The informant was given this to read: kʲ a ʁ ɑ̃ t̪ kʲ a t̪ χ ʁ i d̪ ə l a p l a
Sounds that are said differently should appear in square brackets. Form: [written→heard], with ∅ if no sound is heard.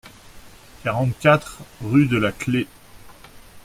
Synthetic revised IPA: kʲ a ʁ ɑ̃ t̪ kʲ a t̪ χ ʁ [i→y] d̪ ə l a [p→k] l [a→e]

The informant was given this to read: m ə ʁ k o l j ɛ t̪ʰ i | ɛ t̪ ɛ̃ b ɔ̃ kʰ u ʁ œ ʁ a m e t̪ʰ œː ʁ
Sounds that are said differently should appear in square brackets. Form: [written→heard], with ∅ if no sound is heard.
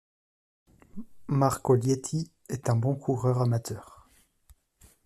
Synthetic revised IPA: m [ə→a] ʁ k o l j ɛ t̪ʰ i | ɛ t̪ ɛ̃ b ɔ̃ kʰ u ʁ œ ʁ a m [e→a] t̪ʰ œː ʁ

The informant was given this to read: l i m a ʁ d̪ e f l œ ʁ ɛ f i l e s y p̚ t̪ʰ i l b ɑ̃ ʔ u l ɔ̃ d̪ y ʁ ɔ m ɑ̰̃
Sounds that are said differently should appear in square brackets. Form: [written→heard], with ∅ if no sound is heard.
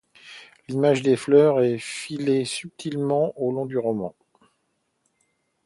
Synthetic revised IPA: l i m a [ʁ→ʒ] d̪ e f l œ ʁ ɛ f i l e s y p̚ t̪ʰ i l [b→m] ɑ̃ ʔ [u→o] l ɔ̃ d̪ y ʁ ɔ m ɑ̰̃

